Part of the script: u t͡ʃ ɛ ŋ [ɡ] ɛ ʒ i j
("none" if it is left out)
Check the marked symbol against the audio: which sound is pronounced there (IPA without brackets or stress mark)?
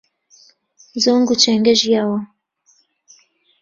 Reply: ɡ